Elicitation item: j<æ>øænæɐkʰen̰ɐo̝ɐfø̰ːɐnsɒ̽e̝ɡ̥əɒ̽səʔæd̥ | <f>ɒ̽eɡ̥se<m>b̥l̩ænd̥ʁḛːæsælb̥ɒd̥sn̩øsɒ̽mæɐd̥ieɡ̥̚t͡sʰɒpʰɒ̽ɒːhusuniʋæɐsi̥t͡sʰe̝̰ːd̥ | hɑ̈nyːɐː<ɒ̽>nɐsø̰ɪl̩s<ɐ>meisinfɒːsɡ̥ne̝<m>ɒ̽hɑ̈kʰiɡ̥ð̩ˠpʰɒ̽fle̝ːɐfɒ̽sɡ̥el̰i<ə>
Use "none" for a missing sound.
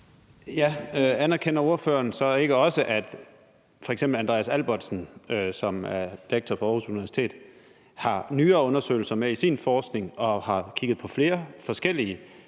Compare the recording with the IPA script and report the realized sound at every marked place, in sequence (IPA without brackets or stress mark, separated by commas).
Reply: æ, f, m, ɔ̽, ɐ, ŋ, ə